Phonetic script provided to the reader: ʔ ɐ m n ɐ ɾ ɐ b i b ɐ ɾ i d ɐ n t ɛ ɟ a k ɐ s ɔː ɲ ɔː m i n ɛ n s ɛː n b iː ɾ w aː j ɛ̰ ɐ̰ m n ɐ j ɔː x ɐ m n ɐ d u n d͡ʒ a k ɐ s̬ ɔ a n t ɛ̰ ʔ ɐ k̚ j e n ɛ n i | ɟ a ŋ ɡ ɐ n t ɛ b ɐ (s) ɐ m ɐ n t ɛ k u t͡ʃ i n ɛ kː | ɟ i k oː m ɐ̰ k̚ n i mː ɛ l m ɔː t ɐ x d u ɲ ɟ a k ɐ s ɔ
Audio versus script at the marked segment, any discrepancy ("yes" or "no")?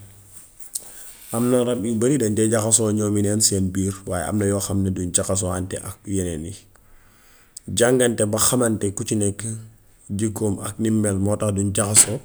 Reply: yes